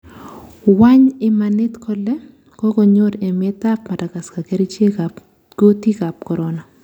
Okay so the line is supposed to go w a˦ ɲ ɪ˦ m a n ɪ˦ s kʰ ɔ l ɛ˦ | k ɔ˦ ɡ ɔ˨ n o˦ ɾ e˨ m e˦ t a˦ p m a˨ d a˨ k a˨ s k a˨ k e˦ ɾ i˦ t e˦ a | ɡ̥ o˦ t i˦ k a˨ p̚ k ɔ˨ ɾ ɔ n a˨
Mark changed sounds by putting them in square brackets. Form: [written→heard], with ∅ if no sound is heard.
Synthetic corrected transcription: w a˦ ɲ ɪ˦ m a n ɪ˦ [s→t] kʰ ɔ l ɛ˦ | k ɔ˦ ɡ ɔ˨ [n→ɲ] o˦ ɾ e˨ m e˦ t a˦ p m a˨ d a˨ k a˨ s k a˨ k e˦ ɾ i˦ [t→t͡ʃ] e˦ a | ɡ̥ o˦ t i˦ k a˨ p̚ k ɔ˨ ɾ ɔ n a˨